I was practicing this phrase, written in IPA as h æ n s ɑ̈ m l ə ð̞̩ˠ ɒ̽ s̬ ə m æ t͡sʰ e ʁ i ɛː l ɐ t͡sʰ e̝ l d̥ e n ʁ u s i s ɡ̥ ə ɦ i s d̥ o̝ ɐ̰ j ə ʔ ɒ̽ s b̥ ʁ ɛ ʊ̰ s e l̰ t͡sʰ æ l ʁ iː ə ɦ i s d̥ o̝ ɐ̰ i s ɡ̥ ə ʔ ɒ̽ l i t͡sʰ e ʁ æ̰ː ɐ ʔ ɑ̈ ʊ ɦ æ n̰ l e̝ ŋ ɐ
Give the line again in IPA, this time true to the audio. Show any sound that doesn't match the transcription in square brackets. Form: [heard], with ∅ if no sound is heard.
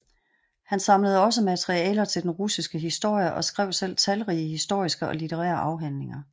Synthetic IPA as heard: h æ n s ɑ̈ m l ə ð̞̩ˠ ɒ̽ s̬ ə m æ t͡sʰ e ʁ i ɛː l ɐ t͡sʰ e̝ l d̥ e n ʁ u s i s ɡ̥ ə ɦ i s d̥ o̝ ɐ̰ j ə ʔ ɒ̽ s [ɡ̥] ʁ ɛ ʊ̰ s e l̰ t͡sʰ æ l ʁ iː ə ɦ i s d̥ o̝ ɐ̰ i s ɡ̥ ə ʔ ɒ̽ l i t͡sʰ e ʁ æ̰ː ɐ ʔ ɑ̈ ʊ ɦ æ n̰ l e̝ ŋ ɐ